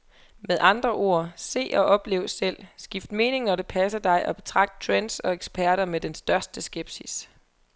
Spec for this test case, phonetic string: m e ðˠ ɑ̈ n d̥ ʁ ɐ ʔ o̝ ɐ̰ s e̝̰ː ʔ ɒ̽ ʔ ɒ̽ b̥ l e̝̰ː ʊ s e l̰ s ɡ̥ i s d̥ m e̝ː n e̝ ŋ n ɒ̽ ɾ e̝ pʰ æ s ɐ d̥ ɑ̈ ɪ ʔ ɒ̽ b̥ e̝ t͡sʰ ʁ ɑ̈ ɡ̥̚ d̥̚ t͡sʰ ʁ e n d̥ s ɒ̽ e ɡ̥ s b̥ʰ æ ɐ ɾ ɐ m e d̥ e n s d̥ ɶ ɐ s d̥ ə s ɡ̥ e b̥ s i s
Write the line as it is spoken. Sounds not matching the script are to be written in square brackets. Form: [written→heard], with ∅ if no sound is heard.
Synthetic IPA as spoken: m e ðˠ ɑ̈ n d̥ ʁ ɐ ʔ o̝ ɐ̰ s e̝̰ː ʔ ɒ̽ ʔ ɒ̽ b̥ l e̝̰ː ʊ s e l̰ s ɡ̥ i [s→f] d̥ m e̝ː n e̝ ŋ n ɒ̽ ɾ e̝ pʰ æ s ɐ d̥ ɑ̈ ɪ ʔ ɒ̽ b̥ e̝ t͡sʰ ʁ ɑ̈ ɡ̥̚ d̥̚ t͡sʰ ʁ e n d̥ s ɒ̽ e ɡ̥ s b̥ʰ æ ɐ ɾ ɐ m e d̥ e n s d̥ ɶ ɐ s d̥ ə s ɡ̥ e b̥ s i s